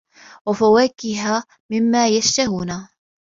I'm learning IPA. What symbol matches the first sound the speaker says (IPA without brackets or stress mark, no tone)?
w